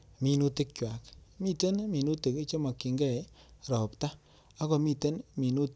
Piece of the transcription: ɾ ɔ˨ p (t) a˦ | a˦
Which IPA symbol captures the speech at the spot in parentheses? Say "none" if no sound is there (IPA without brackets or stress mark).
t